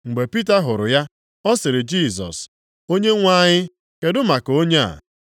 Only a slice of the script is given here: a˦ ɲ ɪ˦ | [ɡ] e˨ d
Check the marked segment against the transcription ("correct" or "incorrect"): incorrect